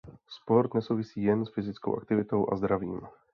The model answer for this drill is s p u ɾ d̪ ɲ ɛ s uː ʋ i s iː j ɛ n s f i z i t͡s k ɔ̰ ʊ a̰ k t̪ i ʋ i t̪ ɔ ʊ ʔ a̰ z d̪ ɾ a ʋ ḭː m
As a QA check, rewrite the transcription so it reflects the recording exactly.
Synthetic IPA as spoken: s p ɔ ɾ d̪ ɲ ɛ s uː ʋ i s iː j ɛ n s f i z i t͡s k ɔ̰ ʊ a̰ k t̪ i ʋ i t̪ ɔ ʊ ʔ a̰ z d̪ ɾ a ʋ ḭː m